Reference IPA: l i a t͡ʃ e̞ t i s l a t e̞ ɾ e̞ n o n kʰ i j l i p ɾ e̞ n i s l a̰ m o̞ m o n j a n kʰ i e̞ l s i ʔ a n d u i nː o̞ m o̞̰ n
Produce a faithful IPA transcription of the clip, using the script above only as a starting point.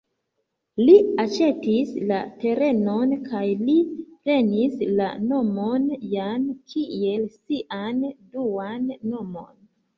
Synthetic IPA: l i a t͡ʃ e̞ t i s l a t e̞ ɾ e̞ n o n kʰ a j l i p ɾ e̞ n i s l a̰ n o̞ m o n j a n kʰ i e̞ l s i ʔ a n d u a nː o̞ m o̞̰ n